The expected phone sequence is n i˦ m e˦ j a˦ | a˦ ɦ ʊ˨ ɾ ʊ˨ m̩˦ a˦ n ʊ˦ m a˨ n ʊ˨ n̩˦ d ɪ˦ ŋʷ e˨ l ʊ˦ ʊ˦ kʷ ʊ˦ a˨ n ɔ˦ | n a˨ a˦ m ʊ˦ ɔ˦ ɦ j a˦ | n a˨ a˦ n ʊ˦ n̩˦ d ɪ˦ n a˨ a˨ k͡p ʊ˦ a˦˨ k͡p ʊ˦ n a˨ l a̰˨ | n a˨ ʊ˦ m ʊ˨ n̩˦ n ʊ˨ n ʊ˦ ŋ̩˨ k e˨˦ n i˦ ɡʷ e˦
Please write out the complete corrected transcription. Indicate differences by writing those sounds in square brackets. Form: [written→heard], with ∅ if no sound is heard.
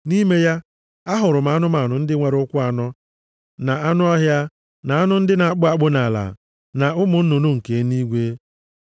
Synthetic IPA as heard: n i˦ m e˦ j a˦ | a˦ ɦ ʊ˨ ɾ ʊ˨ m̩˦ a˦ n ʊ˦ m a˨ n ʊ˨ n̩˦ d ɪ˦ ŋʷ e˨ [l→ɾ] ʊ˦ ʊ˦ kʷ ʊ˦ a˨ n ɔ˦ | n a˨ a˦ [m→n] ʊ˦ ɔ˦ ɦ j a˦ | n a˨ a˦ n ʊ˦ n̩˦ d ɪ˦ n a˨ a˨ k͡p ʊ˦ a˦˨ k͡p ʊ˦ n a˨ l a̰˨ | n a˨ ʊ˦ m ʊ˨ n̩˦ n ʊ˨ n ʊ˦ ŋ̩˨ k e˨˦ n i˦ ɡʷ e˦